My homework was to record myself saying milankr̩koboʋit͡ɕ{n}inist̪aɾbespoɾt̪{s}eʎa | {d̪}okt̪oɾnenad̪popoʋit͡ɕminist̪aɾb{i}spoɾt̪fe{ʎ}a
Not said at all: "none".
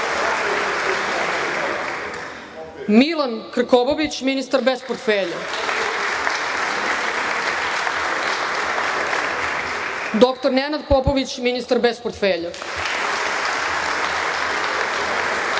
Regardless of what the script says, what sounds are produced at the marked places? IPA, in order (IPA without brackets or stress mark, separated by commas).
m, f, d̪, e, ʎ